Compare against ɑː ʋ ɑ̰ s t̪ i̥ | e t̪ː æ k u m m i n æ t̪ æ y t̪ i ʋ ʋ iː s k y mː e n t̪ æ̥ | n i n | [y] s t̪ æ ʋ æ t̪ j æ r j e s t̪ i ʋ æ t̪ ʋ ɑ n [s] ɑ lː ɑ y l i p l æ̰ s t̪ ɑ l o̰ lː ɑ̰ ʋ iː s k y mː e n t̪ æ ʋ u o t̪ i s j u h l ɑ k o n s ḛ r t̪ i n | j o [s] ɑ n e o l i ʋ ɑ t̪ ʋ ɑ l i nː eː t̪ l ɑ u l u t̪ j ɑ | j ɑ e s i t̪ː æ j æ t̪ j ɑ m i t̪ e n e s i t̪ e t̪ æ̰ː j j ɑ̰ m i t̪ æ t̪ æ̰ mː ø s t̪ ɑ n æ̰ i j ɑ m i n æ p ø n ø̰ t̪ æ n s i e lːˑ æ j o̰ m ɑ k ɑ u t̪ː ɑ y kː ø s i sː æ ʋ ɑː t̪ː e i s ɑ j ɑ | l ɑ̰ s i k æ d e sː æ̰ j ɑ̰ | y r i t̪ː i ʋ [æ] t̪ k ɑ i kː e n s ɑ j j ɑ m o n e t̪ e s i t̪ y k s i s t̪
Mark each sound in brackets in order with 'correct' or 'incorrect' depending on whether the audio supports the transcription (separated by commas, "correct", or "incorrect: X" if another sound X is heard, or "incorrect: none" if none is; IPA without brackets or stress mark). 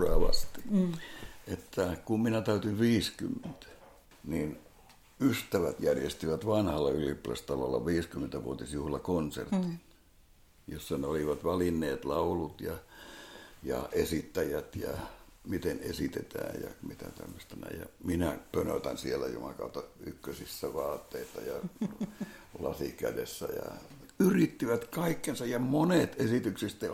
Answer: correct, incorrect: h, incorrect: sː, correct